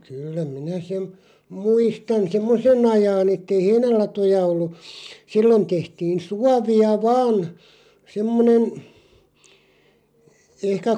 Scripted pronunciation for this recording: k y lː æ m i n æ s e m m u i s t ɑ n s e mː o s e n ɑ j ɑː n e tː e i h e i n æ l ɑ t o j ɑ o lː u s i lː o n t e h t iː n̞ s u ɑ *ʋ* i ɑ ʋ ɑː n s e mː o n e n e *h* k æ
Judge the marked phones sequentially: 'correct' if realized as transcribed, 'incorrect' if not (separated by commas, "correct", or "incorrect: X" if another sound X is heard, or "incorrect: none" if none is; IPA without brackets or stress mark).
correct, correct